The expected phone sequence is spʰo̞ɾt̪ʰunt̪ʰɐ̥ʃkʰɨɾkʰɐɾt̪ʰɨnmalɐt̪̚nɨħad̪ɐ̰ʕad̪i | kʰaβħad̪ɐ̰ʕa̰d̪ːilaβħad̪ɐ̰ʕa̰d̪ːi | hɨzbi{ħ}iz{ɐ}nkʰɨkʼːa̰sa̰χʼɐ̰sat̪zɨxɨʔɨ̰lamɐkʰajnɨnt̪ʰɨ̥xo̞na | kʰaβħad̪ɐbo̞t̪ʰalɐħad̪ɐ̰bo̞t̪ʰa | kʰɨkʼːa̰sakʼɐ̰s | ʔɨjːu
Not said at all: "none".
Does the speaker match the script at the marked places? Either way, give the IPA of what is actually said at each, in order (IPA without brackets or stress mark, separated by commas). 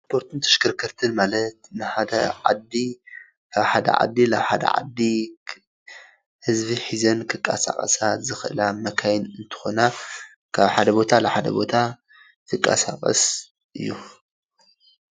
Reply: ħ, ɐ